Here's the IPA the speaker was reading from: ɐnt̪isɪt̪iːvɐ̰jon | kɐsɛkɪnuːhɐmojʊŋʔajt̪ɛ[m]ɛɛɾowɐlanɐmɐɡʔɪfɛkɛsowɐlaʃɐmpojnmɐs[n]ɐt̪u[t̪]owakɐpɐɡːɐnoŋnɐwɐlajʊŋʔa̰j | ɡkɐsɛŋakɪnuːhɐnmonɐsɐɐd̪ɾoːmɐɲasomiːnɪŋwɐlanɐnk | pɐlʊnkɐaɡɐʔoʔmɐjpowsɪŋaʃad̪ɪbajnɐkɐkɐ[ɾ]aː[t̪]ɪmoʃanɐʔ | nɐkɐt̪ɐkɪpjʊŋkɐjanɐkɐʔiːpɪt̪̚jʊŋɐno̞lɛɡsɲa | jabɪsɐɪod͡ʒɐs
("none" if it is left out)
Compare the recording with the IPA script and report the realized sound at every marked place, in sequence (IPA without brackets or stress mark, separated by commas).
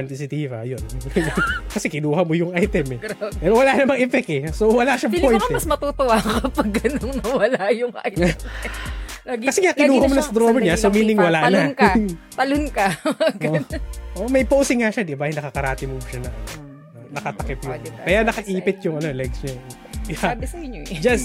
m, m, t̪, ɾ, t̪